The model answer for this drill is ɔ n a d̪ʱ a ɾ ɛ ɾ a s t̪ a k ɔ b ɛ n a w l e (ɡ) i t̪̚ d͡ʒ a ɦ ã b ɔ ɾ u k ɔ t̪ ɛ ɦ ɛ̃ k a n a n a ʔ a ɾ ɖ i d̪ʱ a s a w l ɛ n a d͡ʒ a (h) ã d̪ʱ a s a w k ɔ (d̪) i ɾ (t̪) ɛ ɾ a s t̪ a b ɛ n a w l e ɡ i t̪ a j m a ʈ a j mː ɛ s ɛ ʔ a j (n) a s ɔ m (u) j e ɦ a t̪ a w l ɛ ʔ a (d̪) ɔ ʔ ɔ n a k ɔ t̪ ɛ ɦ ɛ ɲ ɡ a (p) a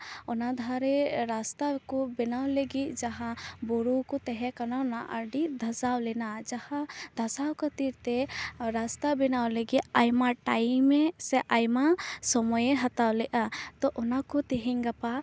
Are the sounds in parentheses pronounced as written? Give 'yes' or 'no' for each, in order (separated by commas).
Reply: yes, yes, no, yes, no, no, no, yes